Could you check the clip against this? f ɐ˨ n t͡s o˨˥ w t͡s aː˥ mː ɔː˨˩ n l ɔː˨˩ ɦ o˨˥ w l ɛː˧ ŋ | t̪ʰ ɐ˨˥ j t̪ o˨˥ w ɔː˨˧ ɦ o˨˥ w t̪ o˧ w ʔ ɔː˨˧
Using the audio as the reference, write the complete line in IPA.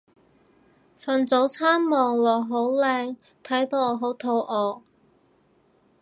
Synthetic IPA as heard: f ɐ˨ n t͡s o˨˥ w t͡sʰ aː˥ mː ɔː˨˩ ŋ l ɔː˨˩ ɦ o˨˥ w l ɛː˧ ŋ | t̪ʰ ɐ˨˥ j t̪ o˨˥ w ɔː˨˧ ɦ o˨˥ w t̪ʰ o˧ w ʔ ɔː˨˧